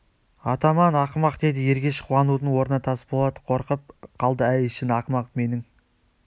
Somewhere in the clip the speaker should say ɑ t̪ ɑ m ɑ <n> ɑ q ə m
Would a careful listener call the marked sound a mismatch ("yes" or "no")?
no